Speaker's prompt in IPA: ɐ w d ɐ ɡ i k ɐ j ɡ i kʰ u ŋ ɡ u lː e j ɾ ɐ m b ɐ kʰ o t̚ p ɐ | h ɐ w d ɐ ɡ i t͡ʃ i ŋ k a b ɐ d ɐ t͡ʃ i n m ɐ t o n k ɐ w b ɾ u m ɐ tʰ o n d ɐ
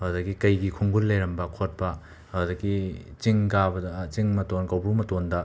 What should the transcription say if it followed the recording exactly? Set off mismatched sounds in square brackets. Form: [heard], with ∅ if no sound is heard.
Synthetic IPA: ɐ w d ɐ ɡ i k ɐ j ɡ i kʰ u ŋ ɡ u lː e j ɾ ɐ m b ɐ kʰ o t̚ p ɐ | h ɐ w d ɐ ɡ i t͡ʃ i ŋ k a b ɐ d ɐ t͡ʃ i [ŋ] m ɐ t o n k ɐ w b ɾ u m ɐ [t] o n d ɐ